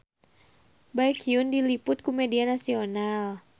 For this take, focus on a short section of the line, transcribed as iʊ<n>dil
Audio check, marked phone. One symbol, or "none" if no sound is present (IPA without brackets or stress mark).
n